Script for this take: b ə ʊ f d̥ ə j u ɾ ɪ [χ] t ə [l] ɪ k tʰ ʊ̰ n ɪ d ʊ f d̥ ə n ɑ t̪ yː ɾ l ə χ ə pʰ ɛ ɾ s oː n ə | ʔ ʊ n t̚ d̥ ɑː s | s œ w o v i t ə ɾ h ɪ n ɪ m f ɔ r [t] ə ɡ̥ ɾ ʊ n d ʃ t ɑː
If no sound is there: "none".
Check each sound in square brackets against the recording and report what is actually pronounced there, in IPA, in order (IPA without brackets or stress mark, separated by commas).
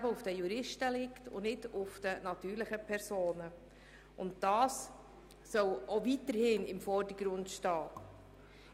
ʃ, l, d